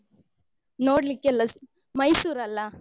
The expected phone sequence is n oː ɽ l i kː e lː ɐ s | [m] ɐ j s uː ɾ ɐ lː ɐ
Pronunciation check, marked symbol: correct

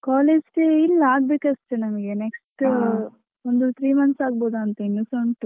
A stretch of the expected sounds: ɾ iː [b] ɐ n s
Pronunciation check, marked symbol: incorrect: m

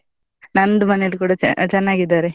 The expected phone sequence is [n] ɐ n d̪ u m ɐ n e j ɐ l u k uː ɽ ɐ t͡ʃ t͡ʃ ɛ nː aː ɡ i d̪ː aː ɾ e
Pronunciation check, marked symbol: correct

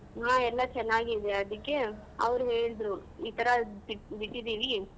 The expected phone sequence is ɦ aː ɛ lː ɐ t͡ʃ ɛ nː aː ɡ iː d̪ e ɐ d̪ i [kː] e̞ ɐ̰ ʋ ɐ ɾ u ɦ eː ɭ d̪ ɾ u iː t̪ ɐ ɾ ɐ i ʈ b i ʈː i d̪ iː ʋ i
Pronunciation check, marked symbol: correct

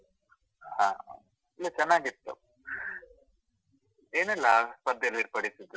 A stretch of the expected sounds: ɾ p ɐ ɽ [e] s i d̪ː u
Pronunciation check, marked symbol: incorrect: i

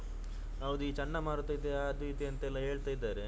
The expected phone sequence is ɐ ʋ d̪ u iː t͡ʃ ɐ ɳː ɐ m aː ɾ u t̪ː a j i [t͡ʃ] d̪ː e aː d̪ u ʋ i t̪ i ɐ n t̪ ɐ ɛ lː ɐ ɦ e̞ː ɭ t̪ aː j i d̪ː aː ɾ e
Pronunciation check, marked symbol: incorrect: none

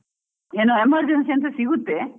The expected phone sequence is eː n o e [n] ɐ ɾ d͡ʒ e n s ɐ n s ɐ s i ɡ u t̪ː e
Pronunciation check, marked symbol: incorrect: m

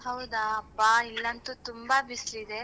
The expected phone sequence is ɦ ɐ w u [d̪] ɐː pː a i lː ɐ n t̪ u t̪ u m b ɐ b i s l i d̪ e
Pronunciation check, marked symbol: correct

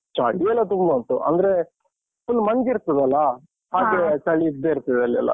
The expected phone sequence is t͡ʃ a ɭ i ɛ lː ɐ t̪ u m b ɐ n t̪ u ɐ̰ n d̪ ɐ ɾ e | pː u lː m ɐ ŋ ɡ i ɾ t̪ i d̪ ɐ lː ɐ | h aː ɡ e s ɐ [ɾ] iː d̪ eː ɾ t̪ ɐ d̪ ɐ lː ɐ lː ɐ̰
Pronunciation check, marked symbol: incorrect: ɭ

